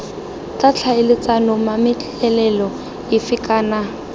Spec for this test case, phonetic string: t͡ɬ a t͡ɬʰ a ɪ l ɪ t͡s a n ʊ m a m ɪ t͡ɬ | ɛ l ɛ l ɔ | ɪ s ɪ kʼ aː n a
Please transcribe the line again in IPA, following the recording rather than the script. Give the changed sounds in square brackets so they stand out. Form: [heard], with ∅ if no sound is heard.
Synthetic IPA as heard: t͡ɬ a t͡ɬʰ a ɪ l ɪ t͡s a n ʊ m a m ɪ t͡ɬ | ɛ l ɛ l ɔ | ɪ [f] ɪ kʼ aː n a